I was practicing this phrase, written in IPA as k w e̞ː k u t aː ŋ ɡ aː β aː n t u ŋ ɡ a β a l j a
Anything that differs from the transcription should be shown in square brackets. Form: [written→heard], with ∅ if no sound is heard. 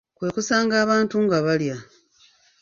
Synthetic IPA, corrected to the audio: k w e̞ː k u [t→s] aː ŋ ɡ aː β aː n t u ŋ ɡ a β a l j a